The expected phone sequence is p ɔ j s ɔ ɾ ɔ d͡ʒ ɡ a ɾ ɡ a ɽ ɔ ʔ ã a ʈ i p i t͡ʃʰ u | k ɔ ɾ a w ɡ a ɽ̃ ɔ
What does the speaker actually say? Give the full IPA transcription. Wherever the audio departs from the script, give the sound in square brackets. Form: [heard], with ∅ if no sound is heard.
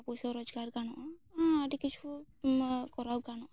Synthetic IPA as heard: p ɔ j s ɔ ɾ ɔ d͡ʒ ɡ a ɾ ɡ a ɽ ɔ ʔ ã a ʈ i [k] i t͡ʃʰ u | k ɔ ɾ a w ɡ a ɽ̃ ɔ